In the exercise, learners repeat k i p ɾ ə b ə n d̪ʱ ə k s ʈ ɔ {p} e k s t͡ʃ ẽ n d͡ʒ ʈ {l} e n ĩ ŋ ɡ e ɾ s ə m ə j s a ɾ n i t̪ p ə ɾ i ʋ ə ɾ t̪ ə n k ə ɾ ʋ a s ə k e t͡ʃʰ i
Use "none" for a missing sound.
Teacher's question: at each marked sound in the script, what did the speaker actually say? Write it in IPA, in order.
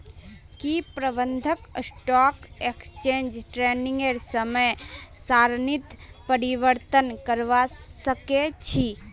k, ɾ

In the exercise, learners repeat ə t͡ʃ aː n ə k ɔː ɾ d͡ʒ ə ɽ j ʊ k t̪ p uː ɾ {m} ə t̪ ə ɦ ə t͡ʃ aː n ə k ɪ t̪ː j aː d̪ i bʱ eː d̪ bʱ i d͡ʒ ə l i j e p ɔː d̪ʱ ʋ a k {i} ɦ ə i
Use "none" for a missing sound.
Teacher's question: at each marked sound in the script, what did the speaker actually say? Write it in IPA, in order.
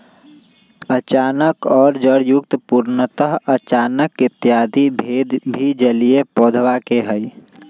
n, e

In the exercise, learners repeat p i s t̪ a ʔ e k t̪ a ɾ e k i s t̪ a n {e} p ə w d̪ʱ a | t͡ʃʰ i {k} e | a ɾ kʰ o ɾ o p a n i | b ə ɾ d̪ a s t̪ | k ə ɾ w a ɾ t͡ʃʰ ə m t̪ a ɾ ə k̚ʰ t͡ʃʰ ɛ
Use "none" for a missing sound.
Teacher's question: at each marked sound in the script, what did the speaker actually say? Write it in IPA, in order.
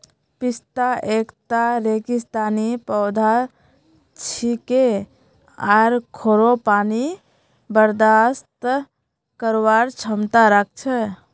i, k

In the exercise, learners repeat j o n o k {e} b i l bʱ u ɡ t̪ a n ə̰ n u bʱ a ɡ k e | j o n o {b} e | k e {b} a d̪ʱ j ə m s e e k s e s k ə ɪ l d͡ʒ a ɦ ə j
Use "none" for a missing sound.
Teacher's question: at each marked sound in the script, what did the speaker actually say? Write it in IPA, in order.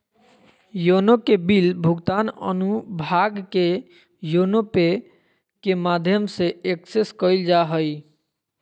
e, p, m

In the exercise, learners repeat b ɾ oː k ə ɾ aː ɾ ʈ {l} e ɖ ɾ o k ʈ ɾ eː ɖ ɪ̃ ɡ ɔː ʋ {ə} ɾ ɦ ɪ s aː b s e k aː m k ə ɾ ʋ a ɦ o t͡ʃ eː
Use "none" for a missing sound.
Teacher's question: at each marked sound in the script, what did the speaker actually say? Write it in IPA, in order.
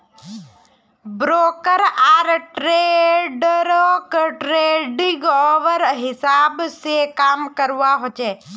ɾ, ə

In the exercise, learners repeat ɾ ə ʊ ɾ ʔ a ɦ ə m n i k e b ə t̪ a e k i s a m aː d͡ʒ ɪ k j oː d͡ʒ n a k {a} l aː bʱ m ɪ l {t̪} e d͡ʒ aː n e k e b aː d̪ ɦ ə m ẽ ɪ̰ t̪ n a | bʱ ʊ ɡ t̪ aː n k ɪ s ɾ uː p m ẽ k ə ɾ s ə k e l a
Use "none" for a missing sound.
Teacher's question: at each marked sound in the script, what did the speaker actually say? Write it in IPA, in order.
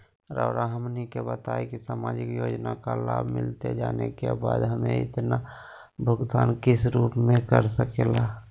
a, t̪

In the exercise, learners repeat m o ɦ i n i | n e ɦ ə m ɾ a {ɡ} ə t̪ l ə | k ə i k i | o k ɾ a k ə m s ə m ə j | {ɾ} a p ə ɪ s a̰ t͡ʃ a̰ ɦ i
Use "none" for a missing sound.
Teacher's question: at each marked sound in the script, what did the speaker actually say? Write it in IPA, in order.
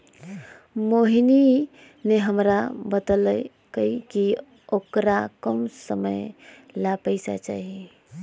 b, l

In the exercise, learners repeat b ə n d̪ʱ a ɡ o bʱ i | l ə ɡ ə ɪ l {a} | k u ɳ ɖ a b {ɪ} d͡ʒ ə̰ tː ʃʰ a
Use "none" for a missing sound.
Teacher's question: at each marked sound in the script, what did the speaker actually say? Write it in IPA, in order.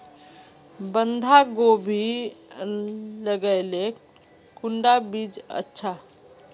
e, i

